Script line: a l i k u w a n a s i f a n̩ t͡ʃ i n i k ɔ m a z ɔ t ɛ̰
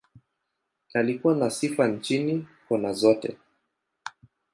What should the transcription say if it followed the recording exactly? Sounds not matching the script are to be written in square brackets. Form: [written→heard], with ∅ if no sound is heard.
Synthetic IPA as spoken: a l i k u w a n a s i f a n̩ t͡ʃ i n i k ɔ [m→n] a z ɔ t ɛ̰